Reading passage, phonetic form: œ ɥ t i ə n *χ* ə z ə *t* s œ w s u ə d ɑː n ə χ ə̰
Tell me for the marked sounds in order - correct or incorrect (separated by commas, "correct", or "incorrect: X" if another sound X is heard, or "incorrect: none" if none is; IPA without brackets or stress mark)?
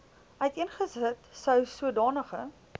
correct, correct